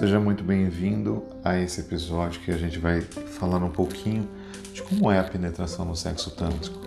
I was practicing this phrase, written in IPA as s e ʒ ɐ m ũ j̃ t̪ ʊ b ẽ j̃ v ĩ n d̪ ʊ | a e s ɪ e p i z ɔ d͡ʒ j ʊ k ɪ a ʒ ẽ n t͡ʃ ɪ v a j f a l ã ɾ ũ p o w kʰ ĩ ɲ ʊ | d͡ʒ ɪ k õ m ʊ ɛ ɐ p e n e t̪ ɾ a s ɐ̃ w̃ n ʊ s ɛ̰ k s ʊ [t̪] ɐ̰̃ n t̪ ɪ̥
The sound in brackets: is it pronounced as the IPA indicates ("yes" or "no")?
yes